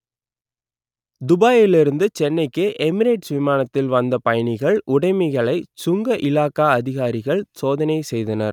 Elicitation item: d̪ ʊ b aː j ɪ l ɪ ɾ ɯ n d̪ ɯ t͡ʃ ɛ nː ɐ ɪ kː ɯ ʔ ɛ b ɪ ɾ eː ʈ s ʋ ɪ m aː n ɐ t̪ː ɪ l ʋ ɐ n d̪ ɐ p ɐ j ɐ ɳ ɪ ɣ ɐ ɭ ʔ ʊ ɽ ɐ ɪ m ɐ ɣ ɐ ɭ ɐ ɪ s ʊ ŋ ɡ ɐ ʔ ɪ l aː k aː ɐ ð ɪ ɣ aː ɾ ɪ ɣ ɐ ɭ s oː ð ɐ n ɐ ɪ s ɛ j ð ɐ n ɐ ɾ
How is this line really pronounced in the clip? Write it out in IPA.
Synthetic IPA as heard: d̪ ʊ b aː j ɪ l ɪ ɾ ɯ n d̪ ɯ t͡ʃ ɛ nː ɐ ɪ kː ɯ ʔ ɛ m ɪ ɾ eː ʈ s ʋ ɪ m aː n ɐ t̪ː ɪ l ʋ ɐ n d̪ ɐ p ɐ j ɐ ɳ ɪ ɣ ɐ ɭ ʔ ʊ ɽ ɐ ɪ m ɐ ɣ ɐ ɭ ɐ ɪ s ʊ ŋ ɡ ɐ ʔ ɪ l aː k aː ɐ ð ɪ ɣ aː ɾ ɪ ɣ ɐ ɭ s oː ð ɐ n ɐ ɪ s ɛ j ð ɐ n ɐ ɾ